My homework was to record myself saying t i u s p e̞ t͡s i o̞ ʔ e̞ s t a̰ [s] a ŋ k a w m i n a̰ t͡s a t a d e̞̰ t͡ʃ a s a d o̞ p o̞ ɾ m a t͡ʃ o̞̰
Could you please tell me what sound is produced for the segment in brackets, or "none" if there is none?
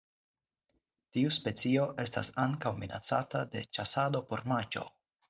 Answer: s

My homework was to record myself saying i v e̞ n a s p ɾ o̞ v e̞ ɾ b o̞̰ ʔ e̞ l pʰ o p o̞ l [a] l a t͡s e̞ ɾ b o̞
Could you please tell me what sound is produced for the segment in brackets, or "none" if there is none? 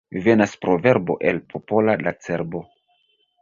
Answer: a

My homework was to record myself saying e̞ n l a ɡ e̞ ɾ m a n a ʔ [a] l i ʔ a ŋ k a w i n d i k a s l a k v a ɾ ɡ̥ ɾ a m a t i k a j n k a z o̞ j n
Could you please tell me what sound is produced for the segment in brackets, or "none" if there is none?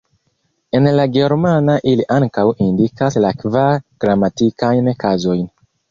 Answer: i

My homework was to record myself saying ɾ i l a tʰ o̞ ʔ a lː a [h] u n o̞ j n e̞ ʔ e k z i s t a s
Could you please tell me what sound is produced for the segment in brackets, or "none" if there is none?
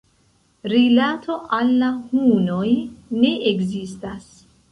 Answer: h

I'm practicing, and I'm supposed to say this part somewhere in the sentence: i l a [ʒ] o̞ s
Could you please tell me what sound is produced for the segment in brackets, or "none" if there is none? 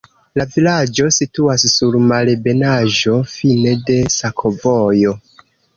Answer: d͡ʒ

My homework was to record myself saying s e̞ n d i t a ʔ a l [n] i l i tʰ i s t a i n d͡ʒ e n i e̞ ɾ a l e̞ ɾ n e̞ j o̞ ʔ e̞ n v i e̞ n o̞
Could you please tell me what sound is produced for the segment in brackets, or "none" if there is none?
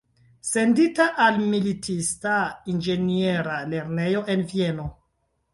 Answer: m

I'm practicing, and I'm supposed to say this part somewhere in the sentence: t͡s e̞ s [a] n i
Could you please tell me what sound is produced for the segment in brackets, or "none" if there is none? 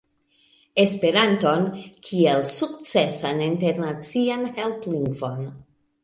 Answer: a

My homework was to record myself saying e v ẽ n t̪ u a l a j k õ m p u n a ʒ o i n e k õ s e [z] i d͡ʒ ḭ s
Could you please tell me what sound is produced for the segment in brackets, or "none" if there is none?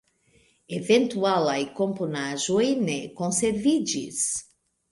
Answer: v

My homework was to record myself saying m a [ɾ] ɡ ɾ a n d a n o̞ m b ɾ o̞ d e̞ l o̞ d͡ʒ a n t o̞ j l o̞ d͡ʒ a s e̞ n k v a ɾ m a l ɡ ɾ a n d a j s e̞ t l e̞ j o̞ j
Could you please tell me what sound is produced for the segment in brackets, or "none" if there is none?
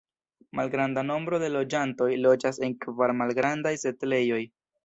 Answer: l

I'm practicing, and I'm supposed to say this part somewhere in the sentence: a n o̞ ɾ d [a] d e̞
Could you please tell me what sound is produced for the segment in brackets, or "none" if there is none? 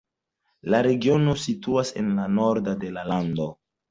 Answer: a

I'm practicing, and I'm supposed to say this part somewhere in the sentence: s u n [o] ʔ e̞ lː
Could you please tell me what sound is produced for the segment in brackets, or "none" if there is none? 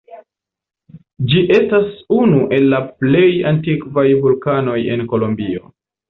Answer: u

